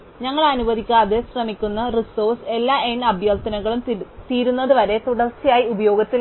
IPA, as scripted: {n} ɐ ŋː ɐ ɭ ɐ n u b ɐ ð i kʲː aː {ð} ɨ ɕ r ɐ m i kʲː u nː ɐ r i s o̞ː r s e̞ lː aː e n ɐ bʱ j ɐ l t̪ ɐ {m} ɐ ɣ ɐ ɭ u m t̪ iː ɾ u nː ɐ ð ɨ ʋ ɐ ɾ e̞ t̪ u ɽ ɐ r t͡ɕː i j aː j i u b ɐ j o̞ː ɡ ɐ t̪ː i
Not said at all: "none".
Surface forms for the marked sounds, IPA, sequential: ɲ, ð, n

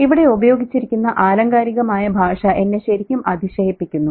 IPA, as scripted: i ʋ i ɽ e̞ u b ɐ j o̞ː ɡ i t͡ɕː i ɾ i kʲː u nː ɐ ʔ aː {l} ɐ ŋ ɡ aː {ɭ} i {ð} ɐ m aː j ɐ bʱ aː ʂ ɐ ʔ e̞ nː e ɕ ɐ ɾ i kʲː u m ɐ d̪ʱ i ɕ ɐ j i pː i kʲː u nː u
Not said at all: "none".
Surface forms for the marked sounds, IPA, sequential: l, ɾ, ɣ

